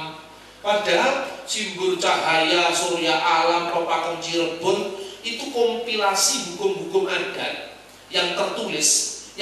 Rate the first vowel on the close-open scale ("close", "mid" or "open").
open